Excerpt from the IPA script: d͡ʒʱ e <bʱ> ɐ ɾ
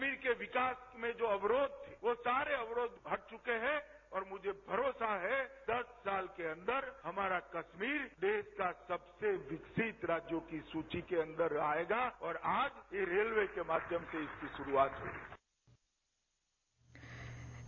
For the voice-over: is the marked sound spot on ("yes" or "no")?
yes